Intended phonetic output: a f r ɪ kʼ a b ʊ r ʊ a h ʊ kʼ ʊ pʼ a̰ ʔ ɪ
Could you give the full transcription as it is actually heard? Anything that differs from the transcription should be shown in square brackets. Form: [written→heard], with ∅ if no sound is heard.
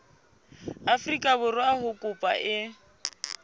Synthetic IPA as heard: a f r [ɪ→i] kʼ a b ʊ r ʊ a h ʊ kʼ ʊ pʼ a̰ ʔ ɪ